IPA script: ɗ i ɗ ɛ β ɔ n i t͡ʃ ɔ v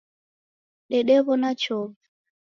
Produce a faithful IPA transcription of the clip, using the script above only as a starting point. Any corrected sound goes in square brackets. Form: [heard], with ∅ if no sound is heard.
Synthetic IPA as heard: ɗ [ɛ] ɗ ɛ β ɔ n [a] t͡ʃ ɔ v